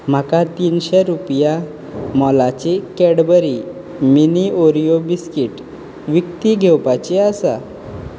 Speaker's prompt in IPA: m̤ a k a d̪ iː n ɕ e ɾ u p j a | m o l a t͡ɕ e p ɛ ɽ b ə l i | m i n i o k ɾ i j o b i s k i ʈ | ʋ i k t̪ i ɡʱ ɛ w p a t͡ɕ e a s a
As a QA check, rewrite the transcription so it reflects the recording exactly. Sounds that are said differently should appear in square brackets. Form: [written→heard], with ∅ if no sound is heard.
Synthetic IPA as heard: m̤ a k a [d̪→t̪] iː n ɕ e ɾ u p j a | m [o→ɔ] l a t͡ɕ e [p→k] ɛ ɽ b ə [l→ɾ] i | m i n i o [k→∅] ɾ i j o b i s k i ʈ | ʋ i k t̪ i ɡʱ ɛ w p a t͡ɕ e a s a